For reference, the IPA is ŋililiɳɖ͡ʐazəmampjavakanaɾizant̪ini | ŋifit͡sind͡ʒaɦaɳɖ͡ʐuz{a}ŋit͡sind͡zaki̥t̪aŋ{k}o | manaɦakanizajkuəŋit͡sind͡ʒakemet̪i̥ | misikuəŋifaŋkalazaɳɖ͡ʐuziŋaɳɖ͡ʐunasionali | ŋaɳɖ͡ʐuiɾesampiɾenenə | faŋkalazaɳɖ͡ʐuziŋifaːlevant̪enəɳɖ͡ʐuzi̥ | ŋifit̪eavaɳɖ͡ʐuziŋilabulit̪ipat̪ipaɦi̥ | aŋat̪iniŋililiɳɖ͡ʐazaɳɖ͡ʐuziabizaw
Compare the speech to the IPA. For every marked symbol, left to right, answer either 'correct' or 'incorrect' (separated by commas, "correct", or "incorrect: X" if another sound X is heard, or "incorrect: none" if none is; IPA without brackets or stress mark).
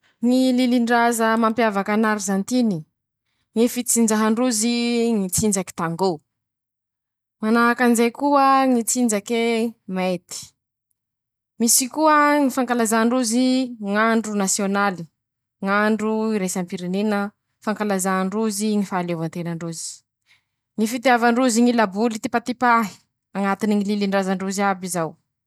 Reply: incorrect: i, incorrect: ɡ